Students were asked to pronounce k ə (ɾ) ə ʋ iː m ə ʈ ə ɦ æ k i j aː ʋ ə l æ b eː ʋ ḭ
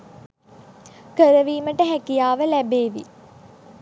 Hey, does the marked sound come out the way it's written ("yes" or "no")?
yes